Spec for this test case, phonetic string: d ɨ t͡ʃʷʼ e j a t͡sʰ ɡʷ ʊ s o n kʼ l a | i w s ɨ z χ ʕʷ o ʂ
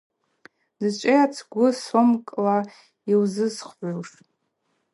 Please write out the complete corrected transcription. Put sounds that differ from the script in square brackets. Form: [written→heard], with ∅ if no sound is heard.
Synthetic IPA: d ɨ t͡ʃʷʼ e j a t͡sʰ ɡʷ ʊ s o [n→m] kʼ l a | i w [s→z] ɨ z χ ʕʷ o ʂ